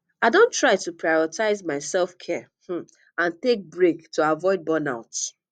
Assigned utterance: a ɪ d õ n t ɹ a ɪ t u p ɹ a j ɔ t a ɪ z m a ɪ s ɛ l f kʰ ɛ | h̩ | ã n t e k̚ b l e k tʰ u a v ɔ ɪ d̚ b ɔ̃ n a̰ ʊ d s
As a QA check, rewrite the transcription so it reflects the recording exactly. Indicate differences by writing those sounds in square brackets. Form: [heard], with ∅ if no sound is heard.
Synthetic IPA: a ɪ d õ n t ɹ a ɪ t u p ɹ a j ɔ t a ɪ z m a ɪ s ɛ l f kʰ ɛ | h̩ | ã n t e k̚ b [ɹ] e k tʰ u a v ɔ ɪ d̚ b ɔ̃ n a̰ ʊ [t] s